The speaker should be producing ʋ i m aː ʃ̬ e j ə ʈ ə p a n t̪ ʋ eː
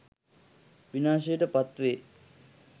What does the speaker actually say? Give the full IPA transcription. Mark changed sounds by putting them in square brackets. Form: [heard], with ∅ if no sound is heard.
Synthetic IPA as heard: ʋ i [n] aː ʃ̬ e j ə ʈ ə p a [∅] t̪ ʋ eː